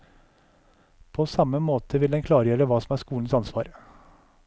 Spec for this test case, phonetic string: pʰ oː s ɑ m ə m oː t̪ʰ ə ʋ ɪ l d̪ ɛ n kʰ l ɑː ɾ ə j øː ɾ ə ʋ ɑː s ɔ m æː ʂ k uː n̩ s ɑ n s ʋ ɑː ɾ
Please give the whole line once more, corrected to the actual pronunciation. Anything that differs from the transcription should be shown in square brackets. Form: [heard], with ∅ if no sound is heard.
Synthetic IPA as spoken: pʰ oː s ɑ m ə m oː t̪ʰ ə ʋ ɪ l d̪ ɛ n kʰ l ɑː ɾ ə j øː ɾ ə ʋ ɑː s ɔ m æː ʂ k uː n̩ s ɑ n s ʋ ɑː ɾ